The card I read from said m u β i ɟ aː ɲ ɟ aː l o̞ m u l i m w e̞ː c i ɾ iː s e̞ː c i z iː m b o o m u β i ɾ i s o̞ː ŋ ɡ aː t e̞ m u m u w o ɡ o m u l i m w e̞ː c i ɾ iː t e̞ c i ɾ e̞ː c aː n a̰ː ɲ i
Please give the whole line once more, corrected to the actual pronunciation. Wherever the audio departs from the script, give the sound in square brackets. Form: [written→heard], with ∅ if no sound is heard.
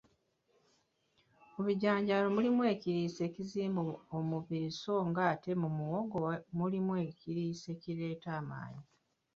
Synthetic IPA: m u β i ɟ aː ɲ ɟ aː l o̞ m u l i m w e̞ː c i ɾ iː s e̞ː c i z iː m b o o m u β i ɾ i s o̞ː ŋ ɡ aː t e̞ m u m u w o ɡ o m u l i m w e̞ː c i ɾ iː [t→s] e̞ c i ɾ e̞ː [c→t] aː [n→m] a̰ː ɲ i